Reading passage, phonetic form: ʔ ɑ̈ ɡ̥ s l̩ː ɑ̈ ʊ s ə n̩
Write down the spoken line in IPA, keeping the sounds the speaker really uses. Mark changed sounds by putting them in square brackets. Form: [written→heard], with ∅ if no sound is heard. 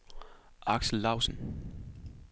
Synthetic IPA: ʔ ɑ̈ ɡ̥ s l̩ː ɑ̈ ʊ s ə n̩